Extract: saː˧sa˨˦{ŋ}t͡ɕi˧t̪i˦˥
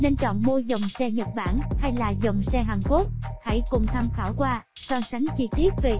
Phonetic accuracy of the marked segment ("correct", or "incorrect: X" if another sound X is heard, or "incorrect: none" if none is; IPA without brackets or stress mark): correct